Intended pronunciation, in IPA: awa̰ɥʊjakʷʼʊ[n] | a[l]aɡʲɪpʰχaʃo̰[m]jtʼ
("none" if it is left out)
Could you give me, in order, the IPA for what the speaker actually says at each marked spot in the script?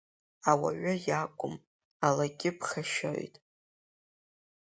m, l, none

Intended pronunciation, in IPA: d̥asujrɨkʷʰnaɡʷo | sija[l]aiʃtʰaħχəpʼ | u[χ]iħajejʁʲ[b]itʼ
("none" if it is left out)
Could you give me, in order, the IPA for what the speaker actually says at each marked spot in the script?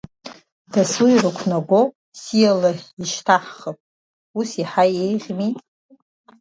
l, s, m

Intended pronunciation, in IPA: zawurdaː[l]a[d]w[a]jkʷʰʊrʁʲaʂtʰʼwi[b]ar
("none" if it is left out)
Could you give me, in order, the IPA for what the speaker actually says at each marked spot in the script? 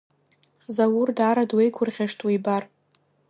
ɾ, d, e, b

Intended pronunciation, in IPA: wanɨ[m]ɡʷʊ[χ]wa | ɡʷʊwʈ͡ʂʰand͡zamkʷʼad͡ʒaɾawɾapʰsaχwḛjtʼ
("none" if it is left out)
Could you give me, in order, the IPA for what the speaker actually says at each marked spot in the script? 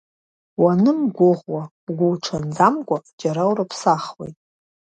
m, ʁ

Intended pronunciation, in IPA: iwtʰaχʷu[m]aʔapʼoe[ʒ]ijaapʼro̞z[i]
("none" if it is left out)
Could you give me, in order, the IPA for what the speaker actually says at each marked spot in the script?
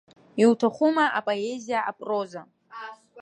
m, z, a

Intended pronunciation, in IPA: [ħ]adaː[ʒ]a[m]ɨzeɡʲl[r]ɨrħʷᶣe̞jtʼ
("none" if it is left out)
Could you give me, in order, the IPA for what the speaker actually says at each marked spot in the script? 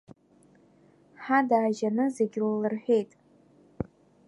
ħ, ʒ, n, l

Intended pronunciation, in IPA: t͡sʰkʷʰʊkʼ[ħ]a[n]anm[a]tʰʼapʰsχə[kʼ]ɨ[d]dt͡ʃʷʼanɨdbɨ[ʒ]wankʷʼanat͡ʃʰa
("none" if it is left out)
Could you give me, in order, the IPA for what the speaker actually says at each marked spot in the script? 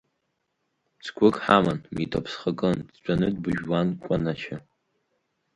ħ, m, i, kʼ, n, ʒ

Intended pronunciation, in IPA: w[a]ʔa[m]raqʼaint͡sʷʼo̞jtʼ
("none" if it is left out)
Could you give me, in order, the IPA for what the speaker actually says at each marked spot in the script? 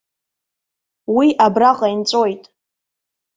i, b

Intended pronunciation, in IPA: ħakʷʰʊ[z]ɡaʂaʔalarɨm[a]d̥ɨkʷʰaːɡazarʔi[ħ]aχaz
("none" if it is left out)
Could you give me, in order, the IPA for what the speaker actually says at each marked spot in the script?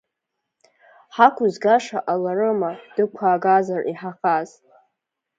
z, a, ħ

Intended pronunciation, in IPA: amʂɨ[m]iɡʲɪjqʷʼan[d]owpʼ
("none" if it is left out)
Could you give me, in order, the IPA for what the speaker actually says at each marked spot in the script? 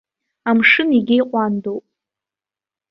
n, d

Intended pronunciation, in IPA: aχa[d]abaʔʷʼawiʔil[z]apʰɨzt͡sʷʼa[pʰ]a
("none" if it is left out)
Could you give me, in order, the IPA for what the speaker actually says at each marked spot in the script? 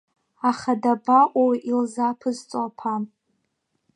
d, z, pʰ

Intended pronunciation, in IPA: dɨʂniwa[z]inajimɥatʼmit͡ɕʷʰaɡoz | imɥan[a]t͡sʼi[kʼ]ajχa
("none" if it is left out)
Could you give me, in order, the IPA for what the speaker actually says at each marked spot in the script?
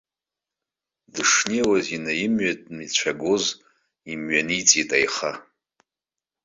z, i, tʼ

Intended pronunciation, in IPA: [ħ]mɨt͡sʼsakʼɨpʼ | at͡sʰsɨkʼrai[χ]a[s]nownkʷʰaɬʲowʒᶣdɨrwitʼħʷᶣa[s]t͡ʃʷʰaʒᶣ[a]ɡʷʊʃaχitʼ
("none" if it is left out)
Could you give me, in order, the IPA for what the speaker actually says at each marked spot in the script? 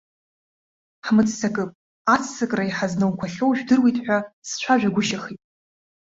ħ, ħ, z, s, a

